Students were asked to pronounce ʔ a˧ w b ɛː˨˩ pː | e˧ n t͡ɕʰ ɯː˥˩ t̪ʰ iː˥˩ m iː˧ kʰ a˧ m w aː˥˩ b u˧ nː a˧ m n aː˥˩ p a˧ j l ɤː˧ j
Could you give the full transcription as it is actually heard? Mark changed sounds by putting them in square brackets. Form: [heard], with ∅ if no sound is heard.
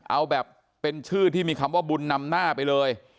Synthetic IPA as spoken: ʔ a˧ w b ɛː˨˩ pː | e˧ n t͡ɕʰ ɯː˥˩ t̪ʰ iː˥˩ m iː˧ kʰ a˧ m w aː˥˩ b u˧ nː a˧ m n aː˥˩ p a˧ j l ɤː˧ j